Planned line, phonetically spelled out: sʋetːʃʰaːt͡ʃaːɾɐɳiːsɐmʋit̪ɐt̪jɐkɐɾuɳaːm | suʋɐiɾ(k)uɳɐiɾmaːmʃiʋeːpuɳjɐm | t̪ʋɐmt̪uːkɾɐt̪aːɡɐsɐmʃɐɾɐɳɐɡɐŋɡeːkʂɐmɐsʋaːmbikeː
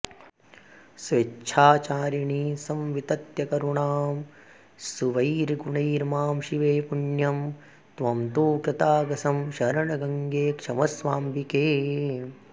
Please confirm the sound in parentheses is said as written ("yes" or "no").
no